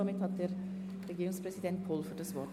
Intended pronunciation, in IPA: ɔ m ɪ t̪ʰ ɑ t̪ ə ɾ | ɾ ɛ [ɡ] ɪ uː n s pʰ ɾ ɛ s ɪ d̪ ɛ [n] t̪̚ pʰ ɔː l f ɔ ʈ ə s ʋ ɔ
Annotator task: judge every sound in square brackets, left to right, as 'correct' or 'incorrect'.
correct, correct

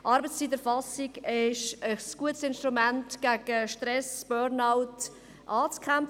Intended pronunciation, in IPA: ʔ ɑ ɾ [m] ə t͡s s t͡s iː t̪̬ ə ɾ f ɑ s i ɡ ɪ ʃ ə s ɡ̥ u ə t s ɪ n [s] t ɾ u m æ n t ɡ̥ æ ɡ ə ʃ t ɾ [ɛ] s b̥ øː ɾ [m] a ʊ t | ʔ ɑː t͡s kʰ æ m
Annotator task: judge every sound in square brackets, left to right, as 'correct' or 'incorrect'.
incorrect, incorrect, correct, incorrect

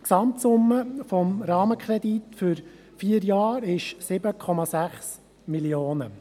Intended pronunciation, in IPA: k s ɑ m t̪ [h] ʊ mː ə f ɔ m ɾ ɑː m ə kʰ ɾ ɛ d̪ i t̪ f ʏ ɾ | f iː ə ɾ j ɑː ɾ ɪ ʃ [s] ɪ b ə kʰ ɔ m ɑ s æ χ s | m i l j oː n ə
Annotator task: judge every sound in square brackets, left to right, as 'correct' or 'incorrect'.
incorrect, correct

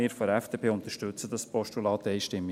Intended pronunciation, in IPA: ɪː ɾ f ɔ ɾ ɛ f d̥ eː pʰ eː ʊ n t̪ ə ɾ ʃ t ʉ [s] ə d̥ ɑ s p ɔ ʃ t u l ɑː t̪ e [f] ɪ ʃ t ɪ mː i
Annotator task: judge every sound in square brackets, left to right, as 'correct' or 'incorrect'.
incorrect, incorrect

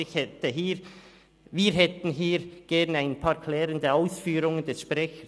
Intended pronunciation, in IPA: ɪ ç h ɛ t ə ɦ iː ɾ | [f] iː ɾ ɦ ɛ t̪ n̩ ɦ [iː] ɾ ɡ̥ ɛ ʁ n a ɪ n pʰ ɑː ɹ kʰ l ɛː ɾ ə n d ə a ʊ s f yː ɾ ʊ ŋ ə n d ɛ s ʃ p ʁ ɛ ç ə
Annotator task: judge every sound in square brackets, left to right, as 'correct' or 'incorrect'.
incorrect, correct

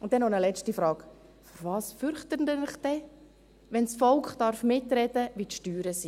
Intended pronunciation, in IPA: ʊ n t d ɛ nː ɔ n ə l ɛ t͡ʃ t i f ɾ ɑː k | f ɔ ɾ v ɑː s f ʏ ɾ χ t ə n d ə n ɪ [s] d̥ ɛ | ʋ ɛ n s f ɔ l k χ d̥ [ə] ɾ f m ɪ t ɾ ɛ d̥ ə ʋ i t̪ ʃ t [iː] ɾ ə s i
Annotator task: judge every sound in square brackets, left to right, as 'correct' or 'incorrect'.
incorrect, incorrect, incorrect

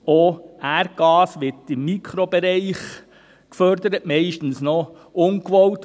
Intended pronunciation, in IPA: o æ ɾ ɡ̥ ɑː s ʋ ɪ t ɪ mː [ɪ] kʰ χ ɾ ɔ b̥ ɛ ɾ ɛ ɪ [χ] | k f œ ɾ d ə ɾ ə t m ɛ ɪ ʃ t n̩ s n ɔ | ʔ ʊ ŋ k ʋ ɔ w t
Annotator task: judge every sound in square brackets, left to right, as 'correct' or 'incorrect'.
incorrect, correct

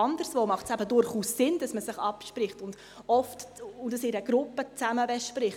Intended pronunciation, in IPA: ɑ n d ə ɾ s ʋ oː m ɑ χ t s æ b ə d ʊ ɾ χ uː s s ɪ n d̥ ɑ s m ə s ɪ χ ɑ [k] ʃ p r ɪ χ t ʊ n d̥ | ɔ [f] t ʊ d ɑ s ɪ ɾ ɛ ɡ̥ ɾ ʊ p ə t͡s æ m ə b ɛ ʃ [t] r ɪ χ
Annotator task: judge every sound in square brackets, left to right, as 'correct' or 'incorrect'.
incorrect, correct, incorrect

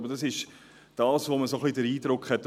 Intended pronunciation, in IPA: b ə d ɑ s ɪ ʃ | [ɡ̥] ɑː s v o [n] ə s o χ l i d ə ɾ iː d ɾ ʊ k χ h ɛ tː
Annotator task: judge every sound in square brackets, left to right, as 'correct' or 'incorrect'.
incorrect, incorrect

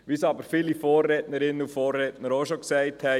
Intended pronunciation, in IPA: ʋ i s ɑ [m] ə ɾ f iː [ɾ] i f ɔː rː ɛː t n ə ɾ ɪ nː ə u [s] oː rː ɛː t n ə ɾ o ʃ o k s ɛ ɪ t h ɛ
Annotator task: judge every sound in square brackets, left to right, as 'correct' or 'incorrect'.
incorrect, incorrect, incorrect

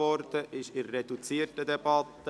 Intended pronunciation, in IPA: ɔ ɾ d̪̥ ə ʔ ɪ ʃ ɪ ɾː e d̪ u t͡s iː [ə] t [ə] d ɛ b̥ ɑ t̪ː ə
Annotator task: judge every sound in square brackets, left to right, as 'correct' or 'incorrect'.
correct, correct

